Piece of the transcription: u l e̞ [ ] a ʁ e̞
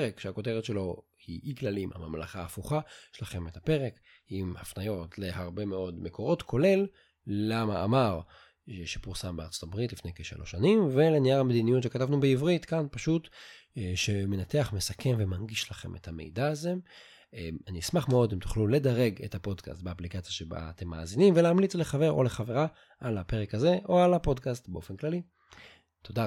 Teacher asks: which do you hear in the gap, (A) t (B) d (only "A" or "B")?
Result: B